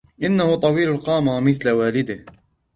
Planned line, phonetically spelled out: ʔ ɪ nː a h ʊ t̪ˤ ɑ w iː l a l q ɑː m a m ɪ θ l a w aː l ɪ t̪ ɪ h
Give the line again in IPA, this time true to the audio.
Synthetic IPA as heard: ʔ ɪ nː a h ʊ t̪ˤ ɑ w iː l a l q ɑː m a m ɪ θ l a w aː l ɪ d̪ ɪ h

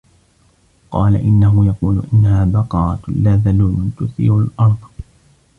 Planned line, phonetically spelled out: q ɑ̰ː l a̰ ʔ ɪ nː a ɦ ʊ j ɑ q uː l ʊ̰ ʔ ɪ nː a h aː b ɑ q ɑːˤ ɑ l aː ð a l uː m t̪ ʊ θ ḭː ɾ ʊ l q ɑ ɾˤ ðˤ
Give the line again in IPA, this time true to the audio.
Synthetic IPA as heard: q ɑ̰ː l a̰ ʔ ɪ nː a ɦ ʊ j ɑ q uː l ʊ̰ ʔ ɪ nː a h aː b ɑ q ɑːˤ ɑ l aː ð a l uː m t̪ ʊ θ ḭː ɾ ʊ l ʔ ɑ ɾˤ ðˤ

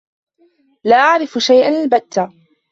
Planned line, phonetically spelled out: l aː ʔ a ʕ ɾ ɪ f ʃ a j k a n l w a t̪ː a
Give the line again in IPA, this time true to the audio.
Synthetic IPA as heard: l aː ʔ a ʕ ɾ ɪ f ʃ a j ʔ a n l b a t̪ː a

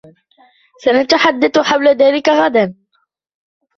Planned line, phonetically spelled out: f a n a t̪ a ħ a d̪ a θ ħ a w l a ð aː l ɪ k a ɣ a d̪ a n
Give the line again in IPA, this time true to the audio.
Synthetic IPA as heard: s a n a t̪ a ħ a d̪ː a θ ħ a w l a ð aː l ɪ k a ɣ a d̪ a n

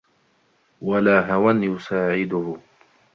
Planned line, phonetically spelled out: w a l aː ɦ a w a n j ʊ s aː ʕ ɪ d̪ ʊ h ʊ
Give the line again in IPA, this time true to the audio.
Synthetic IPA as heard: w a l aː ɦ a w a n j ʊ s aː ʕ ɪ d̪ ʊ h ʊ

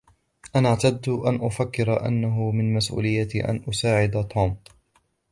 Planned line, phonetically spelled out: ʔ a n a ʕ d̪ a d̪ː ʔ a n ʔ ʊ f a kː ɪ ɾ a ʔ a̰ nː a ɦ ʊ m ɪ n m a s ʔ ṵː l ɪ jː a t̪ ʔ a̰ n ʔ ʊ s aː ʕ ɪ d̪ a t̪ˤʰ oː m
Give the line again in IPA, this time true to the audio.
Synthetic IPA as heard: ʔ a n a ʕ t̪ a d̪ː ʔ a n ʔ ʊ f a kː ɪ ɾ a ʔ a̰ nː a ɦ ʊ m ɪ n m a s ʔ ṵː l ɪ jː a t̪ ʔ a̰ n ʔ ʊ s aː ʕ ɪ d̪ a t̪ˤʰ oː m

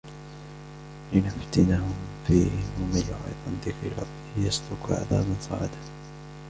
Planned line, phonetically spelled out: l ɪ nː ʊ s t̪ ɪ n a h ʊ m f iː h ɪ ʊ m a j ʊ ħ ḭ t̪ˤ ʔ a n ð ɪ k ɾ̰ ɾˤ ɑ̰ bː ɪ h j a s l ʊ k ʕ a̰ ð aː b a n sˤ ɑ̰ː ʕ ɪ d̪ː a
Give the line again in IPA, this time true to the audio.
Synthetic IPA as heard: l ɪ n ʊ f t̪ ɪ n a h ʊ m f iː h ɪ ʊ m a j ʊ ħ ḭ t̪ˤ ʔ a n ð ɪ k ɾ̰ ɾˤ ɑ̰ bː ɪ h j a s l ʊ k ʕ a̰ ð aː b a n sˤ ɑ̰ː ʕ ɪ d̪ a

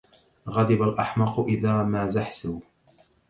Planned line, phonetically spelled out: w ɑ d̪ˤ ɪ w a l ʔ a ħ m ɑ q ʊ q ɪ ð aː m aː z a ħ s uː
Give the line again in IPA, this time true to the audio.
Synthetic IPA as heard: ɣ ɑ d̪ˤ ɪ b a l ʔ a ħ m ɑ q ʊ ʔ ɪ ð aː m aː z a ħ s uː

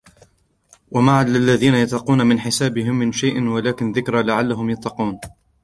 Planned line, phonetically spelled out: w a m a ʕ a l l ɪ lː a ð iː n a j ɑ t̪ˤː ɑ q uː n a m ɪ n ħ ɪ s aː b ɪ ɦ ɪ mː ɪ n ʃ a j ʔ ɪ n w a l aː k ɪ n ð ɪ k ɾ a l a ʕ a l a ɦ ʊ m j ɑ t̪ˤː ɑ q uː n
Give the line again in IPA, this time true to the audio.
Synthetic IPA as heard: w a m a ʕ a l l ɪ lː a ð iː n a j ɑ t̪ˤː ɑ q uː n a m ɪ n ħ ɪ s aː b ɪ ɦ ɪ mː ɪ n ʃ a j ʔ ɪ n w a l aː k ɪ n ð ɪ k ɾ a l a ʕ a lː a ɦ ʊ m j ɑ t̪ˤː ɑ q uː n

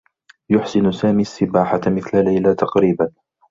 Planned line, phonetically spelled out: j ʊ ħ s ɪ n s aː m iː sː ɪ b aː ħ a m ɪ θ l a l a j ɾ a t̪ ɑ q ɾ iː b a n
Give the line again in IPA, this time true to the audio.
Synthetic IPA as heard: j ʊ ħ s ɪ n s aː m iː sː ɪ b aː ħ a m ɪ θ l a l a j l a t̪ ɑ q ɾ iː b a n

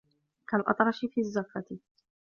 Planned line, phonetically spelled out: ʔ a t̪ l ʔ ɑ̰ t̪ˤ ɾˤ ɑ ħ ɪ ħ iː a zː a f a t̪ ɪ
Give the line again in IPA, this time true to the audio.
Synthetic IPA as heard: k a l ʔ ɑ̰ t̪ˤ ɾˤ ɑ ʃ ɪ f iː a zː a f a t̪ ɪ

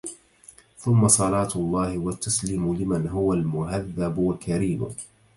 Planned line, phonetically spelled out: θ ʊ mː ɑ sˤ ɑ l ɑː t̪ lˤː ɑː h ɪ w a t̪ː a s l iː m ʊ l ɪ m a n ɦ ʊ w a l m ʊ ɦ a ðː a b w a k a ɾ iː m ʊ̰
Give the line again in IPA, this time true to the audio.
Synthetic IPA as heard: θ ʊ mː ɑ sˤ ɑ l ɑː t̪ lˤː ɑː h ɪ w a t̪ː a s l iː m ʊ l ɪ m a n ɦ ʊ w a l m ʊ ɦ a ðː a b w a k a ɾ iː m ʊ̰

